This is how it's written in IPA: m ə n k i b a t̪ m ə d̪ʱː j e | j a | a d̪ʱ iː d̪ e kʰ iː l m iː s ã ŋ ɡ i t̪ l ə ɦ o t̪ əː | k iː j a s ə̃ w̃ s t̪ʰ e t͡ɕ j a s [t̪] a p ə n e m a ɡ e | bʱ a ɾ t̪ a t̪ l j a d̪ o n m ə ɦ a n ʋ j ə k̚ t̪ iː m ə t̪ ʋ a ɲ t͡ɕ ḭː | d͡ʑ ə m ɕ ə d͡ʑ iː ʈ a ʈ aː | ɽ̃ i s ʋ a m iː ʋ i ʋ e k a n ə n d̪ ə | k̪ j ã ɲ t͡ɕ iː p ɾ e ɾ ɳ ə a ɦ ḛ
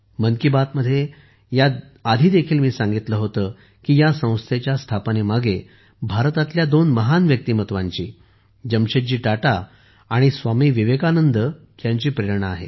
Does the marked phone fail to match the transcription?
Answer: yes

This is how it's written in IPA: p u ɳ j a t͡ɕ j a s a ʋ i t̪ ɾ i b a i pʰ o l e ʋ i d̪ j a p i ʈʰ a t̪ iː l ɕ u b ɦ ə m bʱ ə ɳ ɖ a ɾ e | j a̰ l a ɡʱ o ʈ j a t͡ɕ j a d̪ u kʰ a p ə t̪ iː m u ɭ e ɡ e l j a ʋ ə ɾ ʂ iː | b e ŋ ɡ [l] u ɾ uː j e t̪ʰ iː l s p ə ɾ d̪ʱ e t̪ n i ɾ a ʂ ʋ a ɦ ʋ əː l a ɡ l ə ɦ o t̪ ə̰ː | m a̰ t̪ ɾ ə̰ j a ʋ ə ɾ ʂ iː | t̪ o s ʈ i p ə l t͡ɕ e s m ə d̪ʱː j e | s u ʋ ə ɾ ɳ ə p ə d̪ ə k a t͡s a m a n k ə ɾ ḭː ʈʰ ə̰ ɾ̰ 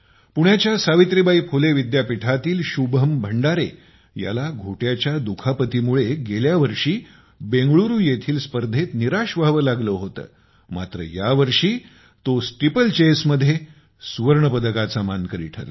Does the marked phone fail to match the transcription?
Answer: yes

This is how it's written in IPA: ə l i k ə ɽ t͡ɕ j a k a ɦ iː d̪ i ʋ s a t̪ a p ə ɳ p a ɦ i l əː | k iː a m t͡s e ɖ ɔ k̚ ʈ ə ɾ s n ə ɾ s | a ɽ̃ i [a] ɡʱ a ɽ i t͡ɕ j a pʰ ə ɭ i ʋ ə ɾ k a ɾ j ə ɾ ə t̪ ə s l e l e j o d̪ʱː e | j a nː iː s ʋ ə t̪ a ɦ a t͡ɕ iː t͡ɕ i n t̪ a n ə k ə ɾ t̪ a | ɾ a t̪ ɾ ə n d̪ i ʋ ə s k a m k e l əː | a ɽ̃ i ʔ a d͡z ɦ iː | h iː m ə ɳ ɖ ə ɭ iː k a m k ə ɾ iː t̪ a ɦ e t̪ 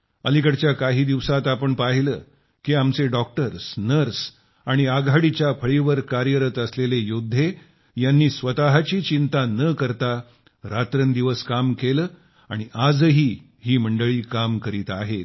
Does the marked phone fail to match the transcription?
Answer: no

